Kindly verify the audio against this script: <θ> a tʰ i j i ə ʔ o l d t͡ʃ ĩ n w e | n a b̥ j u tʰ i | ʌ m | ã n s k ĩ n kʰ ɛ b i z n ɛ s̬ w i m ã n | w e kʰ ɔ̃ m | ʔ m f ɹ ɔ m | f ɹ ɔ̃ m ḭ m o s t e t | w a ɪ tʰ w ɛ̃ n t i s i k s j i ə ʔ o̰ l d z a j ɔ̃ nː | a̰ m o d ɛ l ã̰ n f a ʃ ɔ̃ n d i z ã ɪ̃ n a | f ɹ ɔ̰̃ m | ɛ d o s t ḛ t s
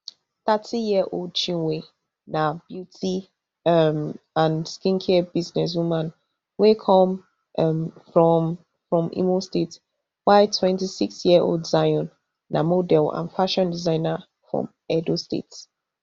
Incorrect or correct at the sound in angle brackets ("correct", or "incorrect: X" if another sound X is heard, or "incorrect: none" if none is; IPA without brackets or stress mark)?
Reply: correct